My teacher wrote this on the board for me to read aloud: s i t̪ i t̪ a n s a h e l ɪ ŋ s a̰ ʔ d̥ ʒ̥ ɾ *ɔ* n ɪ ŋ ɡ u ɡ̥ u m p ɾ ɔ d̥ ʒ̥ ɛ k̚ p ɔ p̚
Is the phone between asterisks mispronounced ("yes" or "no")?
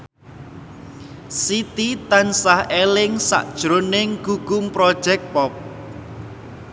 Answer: yes